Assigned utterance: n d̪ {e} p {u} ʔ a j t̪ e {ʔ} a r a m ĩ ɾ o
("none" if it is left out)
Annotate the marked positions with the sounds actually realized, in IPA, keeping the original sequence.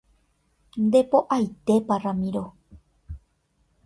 e, o, p

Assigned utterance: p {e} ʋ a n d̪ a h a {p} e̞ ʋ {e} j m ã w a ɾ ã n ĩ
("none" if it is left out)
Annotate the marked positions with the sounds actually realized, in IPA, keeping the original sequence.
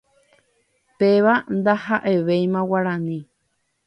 e, ʔ, e

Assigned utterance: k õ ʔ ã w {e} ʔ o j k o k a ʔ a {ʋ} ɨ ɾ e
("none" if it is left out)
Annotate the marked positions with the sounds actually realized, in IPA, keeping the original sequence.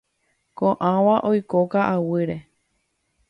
a, w

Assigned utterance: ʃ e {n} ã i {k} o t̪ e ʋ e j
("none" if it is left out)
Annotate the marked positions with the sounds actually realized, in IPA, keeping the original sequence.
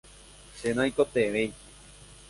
n, k

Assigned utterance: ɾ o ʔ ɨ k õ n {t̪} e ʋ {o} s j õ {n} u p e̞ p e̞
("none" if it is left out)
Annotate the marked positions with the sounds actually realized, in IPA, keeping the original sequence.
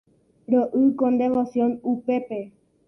d̪, o, n

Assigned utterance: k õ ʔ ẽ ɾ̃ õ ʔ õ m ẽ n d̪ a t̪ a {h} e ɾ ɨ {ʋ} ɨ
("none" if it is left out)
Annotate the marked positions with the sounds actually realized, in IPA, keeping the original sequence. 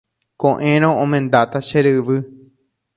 ʃ, ʋ

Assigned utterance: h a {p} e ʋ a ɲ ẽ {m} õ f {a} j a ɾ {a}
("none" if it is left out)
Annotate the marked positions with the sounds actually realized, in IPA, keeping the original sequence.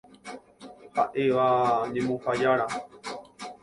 ʔ, m, a, a

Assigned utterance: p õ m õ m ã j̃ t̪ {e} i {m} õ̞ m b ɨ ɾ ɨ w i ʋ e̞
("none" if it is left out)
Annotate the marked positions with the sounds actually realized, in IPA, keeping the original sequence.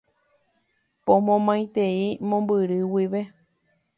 e, m

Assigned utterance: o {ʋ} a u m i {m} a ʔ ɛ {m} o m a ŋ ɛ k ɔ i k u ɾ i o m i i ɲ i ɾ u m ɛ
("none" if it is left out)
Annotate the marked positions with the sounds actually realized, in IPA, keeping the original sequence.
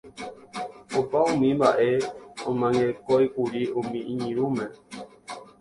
v, m, none

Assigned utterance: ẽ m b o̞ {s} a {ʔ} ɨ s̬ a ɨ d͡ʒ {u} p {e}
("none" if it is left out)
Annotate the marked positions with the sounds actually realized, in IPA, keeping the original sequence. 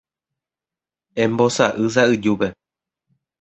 s, ʔ, u, e

